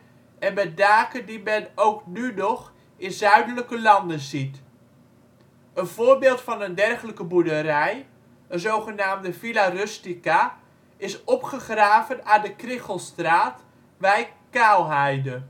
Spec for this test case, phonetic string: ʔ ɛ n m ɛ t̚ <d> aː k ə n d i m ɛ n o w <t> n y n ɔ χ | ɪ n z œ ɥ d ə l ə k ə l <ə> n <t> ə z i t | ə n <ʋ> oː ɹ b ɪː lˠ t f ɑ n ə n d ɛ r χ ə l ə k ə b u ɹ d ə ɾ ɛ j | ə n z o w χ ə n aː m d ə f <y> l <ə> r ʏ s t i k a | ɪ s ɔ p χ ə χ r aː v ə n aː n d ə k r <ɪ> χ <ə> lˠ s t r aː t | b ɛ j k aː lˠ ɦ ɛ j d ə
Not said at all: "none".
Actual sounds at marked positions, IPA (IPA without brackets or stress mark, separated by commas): d, k, ɑ, d, v, i, a, ɪ, ə